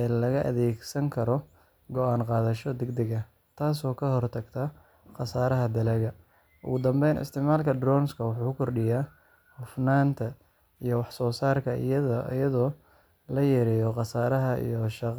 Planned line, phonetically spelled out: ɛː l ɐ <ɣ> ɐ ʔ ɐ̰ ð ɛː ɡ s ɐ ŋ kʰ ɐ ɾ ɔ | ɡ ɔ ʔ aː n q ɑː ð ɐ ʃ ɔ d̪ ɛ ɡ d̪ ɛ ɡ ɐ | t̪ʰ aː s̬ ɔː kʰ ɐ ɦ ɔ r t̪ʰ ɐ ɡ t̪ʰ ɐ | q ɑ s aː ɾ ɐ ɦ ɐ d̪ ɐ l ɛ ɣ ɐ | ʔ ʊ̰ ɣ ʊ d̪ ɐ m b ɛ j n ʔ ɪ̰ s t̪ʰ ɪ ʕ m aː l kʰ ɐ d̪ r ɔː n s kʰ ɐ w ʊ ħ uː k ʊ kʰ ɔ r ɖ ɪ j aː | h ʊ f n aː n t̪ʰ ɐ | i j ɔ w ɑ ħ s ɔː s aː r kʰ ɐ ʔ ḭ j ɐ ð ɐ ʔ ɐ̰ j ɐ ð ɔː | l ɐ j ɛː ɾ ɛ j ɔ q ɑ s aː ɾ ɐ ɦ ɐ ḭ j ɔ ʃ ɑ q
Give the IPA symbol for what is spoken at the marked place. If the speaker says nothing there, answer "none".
ɣ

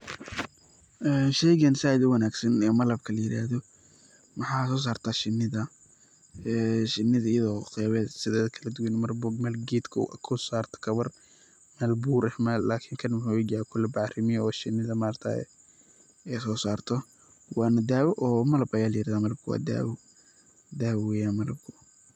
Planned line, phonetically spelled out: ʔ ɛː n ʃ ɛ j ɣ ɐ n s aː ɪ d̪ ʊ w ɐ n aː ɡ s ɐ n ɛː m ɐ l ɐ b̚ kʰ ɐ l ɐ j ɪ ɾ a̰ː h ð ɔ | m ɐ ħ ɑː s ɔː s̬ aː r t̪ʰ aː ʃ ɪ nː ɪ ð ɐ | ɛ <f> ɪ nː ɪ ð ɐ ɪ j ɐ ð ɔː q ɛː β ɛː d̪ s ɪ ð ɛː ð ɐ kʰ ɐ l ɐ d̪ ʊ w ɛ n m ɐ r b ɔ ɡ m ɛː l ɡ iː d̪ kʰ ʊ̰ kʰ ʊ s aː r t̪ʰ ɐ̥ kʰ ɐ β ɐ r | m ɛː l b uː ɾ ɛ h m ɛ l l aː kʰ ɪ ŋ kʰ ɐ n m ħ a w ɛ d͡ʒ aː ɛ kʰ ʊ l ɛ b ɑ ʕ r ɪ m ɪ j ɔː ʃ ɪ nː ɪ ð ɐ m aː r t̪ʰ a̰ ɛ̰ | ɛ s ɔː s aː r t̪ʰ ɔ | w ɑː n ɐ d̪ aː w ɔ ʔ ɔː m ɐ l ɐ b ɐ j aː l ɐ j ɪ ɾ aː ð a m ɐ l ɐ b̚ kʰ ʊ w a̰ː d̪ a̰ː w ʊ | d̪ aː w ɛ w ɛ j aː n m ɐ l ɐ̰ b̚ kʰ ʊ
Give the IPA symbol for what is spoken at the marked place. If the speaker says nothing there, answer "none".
ʃ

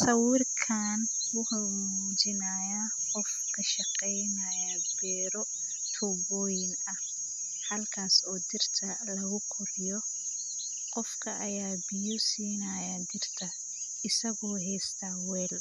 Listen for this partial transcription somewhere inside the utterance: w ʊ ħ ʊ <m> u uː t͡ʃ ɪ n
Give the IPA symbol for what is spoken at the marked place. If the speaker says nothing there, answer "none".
m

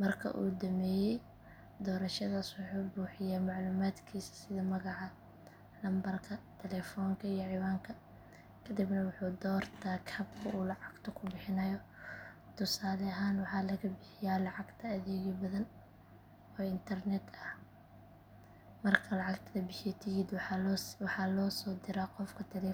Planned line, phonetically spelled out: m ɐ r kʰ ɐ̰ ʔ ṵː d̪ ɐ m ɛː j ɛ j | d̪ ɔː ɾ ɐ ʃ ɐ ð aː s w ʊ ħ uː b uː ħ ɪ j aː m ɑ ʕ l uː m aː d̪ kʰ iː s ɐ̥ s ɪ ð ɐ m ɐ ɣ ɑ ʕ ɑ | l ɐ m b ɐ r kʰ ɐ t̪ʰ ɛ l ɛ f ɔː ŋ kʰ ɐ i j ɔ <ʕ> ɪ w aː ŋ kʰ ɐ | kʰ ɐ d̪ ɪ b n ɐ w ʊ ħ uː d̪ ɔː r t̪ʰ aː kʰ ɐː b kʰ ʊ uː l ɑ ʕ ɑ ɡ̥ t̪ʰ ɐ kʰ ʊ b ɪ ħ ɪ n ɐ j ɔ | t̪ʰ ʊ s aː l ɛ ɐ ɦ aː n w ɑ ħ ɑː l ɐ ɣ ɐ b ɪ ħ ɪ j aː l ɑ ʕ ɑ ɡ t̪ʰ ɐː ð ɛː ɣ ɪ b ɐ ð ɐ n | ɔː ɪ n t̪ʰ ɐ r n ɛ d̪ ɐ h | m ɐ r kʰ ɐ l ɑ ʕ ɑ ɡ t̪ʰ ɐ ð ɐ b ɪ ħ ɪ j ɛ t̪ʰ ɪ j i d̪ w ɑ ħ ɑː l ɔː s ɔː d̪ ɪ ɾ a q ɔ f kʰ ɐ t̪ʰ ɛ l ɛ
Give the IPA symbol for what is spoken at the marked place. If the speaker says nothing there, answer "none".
ʕ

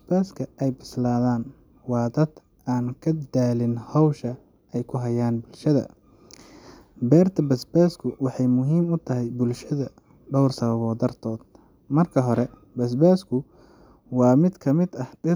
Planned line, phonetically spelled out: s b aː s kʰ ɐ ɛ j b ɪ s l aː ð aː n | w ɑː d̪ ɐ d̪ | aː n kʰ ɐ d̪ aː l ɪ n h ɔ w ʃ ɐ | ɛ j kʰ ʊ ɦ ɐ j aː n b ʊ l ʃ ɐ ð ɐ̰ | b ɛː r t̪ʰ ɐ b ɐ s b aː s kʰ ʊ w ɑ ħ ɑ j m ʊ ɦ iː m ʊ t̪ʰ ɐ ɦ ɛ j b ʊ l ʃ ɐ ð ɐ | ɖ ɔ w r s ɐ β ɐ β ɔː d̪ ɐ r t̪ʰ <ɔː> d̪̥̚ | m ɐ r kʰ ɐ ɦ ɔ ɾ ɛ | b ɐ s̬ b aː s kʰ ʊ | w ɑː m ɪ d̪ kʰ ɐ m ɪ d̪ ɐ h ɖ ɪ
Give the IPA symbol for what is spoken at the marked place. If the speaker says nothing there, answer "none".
ɔː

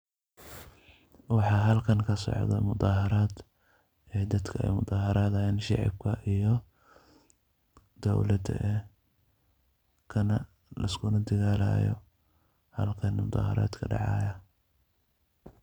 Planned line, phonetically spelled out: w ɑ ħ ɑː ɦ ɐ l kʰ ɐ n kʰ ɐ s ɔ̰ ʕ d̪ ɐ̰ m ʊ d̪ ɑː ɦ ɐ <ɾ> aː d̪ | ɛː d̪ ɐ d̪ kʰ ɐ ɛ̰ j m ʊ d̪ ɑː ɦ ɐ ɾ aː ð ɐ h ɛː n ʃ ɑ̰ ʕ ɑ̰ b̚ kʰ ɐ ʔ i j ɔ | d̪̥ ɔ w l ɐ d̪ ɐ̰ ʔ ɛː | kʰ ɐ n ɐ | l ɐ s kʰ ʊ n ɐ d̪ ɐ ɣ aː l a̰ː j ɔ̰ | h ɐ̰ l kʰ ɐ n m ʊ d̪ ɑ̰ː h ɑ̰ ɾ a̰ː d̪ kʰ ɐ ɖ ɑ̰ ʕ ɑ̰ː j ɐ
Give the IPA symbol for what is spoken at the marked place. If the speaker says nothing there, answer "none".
ɾ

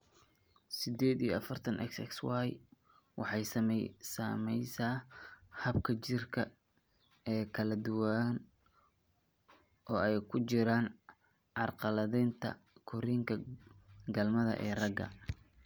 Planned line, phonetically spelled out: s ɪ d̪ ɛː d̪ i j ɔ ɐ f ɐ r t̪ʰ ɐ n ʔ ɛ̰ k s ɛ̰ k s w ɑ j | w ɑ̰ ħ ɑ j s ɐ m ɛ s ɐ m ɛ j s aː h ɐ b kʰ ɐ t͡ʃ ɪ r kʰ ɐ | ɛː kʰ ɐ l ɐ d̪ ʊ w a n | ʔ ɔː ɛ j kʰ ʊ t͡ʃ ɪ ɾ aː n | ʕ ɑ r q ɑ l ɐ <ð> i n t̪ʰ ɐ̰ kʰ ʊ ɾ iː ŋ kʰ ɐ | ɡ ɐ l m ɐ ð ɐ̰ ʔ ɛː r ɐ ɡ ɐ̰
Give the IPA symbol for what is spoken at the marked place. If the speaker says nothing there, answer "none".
ð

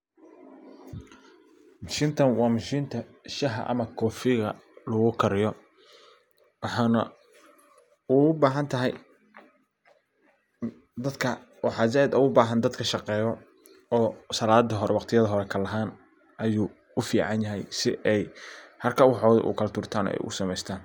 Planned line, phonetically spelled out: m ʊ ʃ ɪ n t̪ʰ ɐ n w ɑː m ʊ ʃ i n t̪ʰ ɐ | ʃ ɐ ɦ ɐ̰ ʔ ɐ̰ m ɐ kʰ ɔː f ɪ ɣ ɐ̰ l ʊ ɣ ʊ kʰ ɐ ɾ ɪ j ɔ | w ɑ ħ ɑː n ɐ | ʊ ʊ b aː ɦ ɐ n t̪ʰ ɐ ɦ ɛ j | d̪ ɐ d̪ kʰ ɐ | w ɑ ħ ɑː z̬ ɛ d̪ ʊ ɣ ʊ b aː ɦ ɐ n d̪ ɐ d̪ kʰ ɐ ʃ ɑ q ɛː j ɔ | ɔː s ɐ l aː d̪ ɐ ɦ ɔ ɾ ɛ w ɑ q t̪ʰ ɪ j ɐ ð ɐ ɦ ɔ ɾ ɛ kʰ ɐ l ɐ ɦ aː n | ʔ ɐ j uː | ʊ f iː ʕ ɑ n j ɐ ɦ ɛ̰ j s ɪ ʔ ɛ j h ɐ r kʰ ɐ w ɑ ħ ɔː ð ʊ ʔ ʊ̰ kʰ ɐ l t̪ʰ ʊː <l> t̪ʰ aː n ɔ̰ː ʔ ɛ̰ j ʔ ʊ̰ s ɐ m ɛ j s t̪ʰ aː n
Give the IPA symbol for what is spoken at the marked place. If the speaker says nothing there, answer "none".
r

